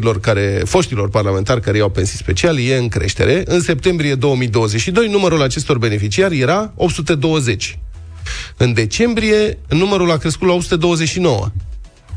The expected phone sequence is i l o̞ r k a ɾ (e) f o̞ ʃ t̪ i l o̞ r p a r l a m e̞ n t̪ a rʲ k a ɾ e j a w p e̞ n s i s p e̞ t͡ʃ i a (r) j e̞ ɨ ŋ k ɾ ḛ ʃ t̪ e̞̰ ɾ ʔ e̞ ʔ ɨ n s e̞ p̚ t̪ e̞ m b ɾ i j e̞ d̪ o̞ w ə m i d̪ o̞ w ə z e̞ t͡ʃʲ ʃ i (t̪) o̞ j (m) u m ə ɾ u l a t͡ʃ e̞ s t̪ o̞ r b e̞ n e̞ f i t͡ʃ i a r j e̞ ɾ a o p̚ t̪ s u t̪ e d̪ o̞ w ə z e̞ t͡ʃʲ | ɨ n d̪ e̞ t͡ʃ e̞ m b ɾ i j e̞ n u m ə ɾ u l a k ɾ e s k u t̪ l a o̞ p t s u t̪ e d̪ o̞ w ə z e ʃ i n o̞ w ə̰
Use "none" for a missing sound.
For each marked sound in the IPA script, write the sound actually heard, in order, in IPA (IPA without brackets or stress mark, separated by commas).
e, l, d̪, n